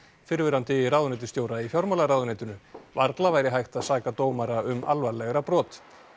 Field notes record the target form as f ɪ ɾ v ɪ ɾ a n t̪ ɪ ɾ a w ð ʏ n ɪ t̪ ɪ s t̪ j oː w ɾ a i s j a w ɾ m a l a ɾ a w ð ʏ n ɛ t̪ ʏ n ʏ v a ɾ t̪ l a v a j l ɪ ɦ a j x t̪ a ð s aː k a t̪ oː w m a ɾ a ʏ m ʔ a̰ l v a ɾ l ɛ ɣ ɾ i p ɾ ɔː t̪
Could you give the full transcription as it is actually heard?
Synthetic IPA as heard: f ɪ ɾ v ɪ ɾ a n t̪ ɪ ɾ a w ð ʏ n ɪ t̪ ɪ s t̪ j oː w ɾ a i f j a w ɾ m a l a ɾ a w ð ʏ n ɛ t̪ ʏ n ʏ v a ɾ t̪ l a v a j ɾ ɪ ɦ a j x t̪ a ð s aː k a t̪ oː w m a ɾ a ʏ m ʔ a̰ l v a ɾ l ɛ ɣ ɾ a p ɾ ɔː t̪

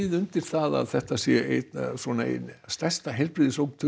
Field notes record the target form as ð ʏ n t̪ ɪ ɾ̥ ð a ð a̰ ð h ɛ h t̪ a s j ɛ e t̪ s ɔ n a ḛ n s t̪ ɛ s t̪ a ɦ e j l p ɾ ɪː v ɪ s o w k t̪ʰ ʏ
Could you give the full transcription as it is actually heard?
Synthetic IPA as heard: ð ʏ n t̪ ɪ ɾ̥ θ a ð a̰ ð θ ɛ h t̪ a s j ɛ e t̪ s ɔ n a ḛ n s t̪ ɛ s t̪ a ɦ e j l p ɾ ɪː ð ɪ s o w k t̪ʰ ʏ

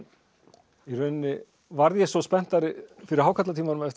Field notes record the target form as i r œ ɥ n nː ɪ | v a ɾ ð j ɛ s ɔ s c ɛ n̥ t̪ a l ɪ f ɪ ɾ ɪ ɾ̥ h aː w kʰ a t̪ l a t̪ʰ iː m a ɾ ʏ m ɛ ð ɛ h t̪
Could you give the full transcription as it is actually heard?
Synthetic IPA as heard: i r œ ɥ n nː ɪ | v a ɾ ð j ɛ s ɔ s p ɛ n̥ t̪ a ɾ ɪ f ɪ ɾ ɪ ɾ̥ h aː w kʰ a t̪ l a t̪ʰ iː m a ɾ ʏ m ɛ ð ɛ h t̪

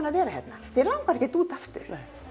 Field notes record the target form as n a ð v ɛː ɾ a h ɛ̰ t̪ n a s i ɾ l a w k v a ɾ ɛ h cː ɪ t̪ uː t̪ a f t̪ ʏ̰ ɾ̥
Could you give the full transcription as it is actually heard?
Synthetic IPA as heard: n a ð v ɛː ɾ a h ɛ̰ t̪ n a θ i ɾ l a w k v a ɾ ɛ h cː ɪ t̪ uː t̪ a f t̪ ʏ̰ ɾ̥

